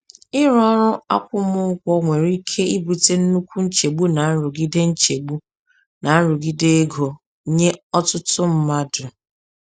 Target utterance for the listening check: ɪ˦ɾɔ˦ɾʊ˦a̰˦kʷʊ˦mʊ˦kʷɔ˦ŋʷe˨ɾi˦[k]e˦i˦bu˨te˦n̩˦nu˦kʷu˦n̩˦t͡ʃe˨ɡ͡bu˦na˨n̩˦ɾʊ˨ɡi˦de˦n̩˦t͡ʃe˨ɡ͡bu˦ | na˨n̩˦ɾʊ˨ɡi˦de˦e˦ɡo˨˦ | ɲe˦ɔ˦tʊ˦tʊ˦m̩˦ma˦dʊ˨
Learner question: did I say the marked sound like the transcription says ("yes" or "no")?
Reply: no